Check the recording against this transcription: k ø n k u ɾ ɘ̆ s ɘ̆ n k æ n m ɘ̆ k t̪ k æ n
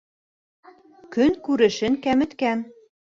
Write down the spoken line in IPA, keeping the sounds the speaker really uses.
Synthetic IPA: k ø n k u ɾ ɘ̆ ʃ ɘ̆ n k æ m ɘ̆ t̪ k æ n